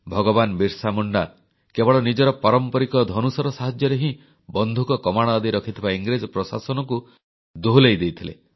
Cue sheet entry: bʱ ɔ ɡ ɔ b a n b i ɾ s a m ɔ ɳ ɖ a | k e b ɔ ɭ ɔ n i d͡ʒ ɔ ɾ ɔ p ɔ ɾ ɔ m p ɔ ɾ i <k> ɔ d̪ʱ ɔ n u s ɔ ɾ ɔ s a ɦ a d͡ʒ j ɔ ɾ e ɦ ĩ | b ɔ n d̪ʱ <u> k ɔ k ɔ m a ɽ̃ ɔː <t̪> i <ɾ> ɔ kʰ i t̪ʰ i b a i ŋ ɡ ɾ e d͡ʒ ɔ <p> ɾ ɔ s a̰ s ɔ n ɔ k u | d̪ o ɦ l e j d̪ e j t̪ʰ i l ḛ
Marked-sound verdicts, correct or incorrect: correct, correct, incorrect: d̪, correct, correct

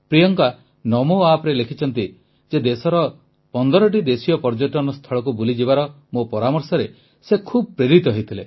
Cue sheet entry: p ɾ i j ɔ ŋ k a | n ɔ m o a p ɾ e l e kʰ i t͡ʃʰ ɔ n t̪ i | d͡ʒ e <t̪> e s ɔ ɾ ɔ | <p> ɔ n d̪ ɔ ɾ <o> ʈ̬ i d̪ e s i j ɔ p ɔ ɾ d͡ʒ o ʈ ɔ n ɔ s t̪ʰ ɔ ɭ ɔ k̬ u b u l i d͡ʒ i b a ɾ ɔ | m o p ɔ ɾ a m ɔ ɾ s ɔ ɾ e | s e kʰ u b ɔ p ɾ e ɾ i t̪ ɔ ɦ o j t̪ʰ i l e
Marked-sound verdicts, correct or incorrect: incorrect: d̪, correct, incorrect: ɔ

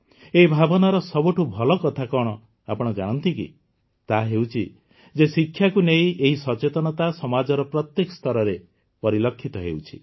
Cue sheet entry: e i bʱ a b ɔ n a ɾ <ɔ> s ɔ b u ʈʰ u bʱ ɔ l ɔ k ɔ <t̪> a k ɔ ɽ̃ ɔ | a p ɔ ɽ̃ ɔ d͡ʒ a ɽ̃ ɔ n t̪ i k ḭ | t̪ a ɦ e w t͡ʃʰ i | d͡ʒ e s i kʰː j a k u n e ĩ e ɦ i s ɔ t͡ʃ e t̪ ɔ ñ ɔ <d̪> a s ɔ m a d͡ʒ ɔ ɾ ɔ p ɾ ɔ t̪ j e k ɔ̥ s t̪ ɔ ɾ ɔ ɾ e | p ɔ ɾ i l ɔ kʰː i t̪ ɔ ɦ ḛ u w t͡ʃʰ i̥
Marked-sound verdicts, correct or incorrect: correct, incorrect: t̪ʰ, incorrect: t̪

